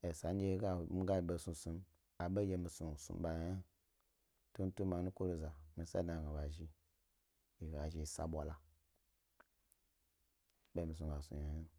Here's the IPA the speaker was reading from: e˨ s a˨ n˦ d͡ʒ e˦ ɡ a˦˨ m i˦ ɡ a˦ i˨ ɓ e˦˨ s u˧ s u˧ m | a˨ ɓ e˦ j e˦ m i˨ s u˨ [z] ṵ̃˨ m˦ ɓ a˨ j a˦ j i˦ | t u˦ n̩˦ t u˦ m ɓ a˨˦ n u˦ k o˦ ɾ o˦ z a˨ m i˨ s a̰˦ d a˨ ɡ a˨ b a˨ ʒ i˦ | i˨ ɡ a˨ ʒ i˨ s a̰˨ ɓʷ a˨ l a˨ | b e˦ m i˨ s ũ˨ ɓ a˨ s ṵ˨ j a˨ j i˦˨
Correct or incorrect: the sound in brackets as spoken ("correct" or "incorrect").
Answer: incorrect